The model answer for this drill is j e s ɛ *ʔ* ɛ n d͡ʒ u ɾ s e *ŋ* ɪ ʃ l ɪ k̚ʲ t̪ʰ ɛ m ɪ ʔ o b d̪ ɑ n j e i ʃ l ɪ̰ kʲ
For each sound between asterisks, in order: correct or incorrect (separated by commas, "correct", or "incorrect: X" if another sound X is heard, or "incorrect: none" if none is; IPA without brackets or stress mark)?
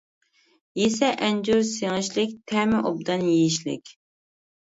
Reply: correct, correct